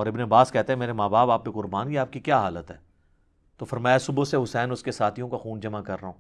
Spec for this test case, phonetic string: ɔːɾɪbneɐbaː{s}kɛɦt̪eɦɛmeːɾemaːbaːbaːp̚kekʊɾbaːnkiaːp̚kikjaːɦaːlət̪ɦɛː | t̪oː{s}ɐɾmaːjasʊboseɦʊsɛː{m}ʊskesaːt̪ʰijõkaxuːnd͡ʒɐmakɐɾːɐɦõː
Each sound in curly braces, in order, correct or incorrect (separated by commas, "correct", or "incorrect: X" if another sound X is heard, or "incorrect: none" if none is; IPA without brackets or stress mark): correct, incorrect: f, incorrect: n